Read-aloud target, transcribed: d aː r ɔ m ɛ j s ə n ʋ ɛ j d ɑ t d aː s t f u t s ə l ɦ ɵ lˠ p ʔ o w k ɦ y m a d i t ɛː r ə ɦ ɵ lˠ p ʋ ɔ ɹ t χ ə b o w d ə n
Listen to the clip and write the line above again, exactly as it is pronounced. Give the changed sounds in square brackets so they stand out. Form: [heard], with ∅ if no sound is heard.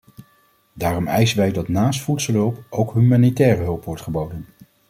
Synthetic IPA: d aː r ɔ m ɛ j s ə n ʋ ɛ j d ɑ t [n] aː s t f u t s ə l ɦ ɵ lˠ p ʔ o w k ɦ y m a [n] i t ɛː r ə ɦ ɵ lˠ p ʋ ɔ ɹ t χ ə b o w d ə n